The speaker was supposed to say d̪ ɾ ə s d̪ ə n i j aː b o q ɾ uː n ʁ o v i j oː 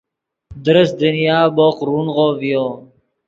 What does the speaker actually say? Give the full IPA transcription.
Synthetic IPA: d̪ ɾ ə s d̪ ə n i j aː b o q ɾ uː n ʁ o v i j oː